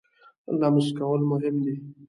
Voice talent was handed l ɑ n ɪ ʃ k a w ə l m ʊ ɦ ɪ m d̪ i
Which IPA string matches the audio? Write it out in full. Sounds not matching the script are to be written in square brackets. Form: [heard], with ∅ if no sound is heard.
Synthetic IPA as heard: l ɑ [m] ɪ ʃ k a w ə l m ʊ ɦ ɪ m d̪ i